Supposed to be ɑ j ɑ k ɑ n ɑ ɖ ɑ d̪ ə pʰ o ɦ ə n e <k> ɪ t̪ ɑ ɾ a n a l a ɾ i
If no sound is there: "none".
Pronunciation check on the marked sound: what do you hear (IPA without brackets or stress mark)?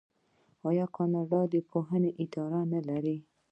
ʔ